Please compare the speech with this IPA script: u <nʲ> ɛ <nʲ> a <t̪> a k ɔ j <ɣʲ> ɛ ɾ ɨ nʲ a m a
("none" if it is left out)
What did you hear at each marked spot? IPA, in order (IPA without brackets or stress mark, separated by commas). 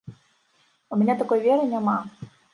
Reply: mʲ, nʲ, t̪, vʲ